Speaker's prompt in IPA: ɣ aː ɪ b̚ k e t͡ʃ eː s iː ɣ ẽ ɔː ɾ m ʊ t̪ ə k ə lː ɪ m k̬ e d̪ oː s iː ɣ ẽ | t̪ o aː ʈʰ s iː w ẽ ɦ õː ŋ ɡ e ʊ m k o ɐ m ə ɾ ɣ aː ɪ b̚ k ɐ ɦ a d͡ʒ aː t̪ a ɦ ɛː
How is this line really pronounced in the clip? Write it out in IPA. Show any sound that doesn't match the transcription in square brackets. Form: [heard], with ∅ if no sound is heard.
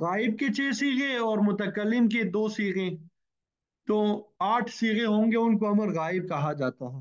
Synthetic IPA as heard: ɣ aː ɪ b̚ k e t͡ʃ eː s iː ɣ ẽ ɔː ɾ m ʊ t̪ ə k ə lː ɪ m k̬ e d̪ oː s iː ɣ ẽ | t̪ o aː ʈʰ s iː [ɣ] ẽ ɦ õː ŋ ɡ e ʊ [n] k o ɐ m ə ɾ ɣ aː ɪ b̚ k ɐ ɦ a d͡ʒ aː t̪ a ɦ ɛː